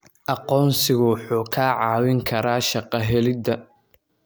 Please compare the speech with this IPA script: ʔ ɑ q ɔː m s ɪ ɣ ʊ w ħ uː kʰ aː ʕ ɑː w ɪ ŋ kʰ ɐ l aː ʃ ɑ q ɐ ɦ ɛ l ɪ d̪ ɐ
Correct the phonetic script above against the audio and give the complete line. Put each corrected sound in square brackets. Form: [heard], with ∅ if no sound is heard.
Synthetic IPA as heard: ʔ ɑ q ɔː [n] s ɪ ɣ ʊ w ħ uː kʰ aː ʕ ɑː w ɪ ŋ kʰ ɐ [ɾ] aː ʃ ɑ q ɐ ɦ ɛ l ɪ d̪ ɐ